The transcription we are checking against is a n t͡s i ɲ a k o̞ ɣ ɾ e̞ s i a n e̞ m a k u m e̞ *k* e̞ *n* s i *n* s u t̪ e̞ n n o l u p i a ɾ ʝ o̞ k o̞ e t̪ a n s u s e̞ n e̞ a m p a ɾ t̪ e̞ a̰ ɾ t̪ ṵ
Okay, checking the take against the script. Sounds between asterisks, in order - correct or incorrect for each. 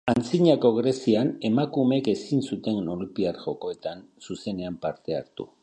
correct, incorrect, correct

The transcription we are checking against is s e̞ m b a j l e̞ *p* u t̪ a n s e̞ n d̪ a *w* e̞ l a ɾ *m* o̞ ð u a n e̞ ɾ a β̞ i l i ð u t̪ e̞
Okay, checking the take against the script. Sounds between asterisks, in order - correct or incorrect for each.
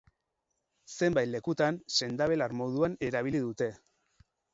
incorrect, incorrect, correct

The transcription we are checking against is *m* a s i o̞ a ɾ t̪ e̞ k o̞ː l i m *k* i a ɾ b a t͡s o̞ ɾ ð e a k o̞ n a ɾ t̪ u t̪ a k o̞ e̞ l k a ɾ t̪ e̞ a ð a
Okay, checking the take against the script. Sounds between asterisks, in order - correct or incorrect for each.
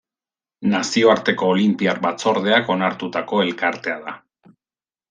incorrect, incorrect

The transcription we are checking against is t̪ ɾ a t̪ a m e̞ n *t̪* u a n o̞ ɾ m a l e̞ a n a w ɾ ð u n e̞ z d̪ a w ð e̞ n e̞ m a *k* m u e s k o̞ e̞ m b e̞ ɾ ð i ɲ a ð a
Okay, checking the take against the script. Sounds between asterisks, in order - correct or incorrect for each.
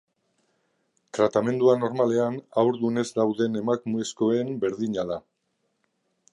incorrect, correct

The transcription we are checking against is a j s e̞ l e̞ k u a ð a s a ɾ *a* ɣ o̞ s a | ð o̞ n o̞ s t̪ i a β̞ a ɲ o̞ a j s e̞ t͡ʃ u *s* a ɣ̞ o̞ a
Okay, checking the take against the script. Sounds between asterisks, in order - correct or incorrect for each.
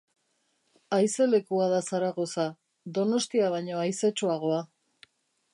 correct, incorrect

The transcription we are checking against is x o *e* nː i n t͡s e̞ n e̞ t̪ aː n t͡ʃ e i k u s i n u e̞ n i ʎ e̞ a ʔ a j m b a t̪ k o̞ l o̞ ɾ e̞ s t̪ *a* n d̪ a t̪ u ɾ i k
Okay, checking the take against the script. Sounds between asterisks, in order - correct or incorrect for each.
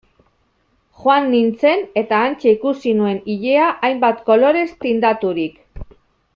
incorrect, incorrect

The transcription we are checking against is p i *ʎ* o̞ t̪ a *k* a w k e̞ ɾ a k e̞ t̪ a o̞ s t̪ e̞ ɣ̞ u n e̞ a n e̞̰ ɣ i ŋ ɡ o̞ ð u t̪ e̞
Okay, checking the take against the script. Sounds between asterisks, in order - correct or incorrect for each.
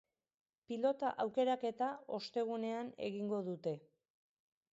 incorrect, incorrect

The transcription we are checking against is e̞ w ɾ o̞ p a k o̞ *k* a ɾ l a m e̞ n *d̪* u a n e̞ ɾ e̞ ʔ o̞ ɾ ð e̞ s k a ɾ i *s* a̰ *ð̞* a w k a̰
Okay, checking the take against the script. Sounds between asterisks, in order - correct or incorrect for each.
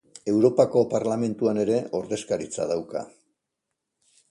incorrect, incorrect, incorrect, correct

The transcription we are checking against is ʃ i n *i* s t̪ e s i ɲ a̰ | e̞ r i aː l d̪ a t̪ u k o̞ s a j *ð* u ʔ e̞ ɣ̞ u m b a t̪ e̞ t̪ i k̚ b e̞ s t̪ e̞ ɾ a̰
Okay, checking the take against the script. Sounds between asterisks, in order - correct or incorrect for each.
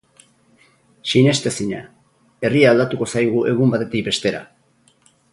incorrect, incorrect

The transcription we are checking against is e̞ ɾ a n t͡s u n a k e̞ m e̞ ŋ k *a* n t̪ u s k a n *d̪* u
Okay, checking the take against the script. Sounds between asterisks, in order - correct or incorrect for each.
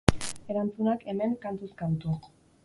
correct, incorrect

